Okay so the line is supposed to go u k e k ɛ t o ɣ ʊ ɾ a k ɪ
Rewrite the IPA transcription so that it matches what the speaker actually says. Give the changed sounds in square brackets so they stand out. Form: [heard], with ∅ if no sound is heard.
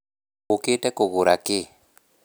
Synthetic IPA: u k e [t] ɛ [k] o ɣ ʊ ɾ a k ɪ